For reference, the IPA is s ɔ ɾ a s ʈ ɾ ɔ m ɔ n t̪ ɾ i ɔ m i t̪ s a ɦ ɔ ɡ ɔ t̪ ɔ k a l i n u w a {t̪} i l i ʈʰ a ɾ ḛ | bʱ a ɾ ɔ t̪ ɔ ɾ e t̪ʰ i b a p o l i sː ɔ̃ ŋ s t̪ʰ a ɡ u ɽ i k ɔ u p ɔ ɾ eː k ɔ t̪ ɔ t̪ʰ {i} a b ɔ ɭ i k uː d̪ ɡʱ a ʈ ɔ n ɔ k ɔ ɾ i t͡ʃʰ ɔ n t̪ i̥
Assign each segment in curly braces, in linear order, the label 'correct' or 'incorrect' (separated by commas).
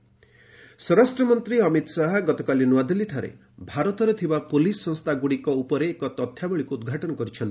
incorrect, incorrect